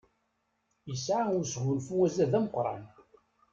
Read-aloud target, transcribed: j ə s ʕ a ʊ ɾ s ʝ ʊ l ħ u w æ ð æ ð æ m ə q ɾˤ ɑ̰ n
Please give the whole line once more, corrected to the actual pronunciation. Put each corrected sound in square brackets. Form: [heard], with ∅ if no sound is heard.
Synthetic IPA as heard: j ə s ʕ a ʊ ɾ s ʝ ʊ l [f] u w æ [z] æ ð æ m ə q ɾˤ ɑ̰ n